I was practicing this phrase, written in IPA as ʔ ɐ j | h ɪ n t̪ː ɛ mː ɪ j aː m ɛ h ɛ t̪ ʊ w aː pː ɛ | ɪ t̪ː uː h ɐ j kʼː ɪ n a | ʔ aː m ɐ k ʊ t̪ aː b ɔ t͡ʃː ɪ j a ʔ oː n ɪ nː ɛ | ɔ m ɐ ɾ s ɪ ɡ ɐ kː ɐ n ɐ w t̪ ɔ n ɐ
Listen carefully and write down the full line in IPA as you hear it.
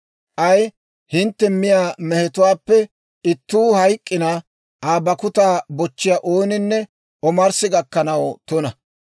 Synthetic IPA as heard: ʔ ɐ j | h ɪ n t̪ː ɛ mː ɪ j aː m ɛ h ɛ t̪ ʊ w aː pː ɛ | ɪ t̪ː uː h ɐ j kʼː ɪ n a | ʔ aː b ɐ k ʊ t̪ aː b ɔ t͡ʃː ɪ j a ʔ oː n ɪ nː ɛ | ɔ m ɐ ɾ s ɪ ɡ ɐ kː ɐ n ɐ w t̪ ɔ n ɐ